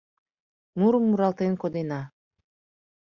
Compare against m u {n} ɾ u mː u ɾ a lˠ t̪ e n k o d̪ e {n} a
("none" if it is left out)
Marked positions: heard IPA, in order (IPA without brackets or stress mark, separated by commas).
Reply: none, n